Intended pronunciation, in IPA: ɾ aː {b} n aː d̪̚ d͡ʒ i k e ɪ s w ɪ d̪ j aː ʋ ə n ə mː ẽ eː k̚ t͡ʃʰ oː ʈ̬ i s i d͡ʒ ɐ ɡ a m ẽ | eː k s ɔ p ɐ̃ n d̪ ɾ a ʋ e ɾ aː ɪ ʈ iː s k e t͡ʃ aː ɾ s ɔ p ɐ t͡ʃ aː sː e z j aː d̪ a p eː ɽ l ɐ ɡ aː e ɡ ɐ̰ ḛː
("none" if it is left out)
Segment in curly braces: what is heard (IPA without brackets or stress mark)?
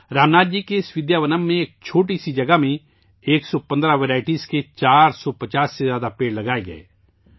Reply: m